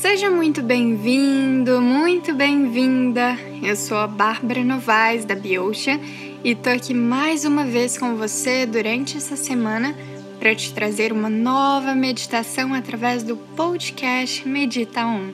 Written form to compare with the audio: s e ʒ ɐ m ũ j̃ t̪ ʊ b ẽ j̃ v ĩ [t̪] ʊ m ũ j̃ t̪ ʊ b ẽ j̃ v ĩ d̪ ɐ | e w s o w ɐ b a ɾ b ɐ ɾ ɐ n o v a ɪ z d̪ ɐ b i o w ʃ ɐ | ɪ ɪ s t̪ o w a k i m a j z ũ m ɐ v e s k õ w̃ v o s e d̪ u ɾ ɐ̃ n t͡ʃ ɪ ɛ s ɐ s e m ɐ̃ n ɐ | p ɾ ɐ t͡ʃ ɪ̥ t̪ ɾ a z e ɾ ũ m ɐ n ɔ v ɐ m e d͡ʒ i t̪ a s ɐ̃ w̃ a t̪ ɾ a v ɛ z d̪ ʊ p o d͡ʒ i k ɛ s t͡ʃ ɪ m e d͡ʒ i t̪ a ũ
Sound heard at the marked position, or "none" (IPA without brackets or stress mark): d̪